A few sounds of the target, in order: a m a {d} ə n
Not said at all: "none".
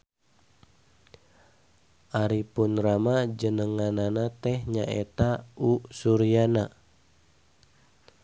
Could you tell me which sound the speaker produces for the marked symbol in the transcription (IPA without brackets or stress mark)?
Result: d͡ʒ